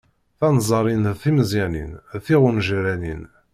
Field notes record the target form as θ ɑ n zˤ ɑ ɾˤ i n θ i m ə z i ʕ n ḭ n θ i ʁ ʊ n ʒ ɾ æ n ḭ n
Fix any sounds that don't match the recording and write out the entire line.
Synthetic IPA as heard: θ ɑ n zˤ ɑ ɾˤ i n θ i m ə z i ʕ n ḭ n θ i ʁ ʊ n ʒ ɾ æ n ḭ n